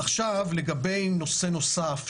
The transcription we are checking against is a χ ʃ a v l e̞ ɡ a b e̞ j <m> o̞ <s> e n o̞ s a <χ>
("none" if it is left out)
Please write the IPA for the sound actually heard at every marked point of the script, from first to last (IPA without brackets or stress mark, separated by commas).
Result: n, s, f